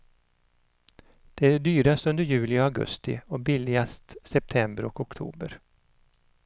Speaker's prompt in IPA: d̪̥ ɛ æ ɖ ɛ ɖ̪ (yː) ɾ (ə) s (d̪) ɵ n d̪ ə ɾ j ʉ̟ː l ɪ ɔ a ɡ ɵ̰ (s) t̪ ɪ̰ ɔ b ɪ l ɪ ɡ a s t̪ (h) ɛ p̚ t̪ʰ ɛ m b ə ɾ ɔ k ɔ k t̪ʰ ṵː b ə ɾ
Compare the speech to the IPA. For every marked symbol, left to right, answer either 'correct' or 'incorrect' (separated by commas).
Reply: correct, incorrect, incorrect, correct, incorrect